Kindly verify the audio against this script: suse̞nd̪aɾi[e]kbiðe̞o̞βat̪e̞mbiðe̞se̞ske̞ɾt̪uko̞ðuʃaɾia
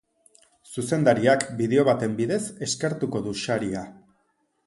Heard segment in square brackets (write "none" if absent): a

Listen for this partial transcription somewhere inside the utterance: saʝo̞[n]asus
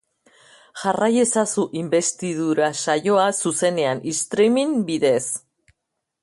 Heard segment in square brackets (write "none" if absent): none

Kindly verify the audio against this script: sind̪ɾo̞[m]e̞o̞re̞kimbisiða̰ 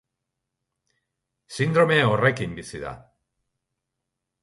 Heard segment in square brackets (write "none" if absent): m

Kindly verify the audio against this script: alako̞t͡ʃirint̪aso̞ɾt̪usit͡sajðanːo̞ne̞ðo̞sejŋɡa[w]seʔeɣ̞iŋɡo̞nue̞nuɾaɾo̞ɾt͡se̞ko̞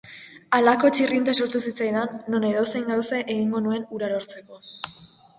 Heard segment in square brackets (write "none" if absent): w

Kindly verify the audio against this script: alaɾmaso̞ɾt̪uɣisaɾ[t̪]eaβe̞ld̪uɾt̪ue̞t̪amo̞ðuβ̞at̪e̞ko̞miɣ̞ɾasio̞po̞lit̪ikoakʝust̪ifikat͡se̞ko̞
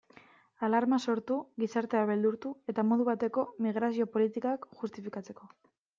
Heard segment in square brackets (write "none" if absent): t̪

